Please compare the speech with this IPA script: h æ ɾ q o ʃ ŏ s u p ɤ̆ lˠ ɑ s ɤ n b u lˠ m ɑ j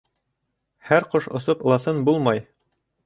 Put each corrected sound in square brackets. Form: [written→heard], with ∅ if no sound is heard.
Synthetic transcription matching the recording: h æ ɾ q o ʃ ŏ s [u→o] p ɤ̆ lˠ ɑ s ɤ n b u lˠ m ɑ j